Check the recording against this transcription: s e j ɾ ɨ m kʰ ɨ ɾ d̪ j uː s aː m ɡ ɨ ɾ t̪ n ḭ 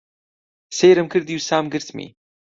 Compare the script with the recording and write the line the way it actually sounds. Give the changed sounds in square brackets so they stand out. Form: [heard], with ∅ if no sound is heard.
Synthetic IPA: s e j ɾ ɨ m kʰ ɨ ɾ d̪ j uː s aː m ɡ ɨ ɾ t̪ [m] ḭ